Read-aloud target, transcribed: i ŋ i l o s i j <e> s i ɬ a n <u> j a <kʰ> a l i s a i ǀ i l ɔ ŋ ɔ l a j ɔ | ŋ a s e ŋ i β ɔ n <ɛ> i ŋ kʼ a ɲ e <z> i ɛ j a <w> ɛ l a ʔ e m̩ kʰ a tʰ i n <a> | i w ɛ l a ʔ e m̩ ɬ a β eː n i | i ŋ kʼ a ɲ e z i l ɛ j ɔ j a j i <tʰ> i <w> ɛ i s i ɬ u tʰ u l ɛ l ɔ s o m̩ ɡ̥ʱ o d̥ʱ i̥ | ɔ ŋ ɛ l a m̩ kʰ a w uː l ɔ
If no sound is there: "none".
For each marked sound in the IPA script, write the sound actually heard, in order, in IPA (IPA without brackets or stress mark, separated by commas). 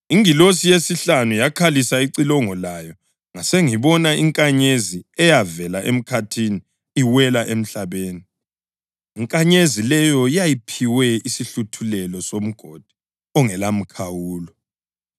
e, u, kʰ, a, z, v, i, pʰ, w